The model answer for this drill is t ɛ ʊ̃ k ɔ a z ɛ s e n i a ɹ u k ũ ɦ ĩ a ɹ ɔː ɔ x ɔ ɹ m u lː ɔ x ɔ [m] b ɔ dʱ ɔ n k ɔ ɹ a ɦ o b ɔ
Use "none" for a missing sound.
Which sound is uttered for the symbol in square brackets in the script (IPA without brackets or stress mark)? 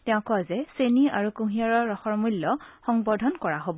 ŋ